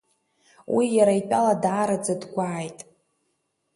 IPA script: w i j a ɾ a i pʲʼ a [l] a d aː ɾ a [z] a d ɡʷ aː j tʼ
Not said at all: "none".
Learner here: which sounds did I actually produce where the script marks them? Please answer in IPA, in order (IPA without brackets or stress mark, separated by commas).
l, d͡z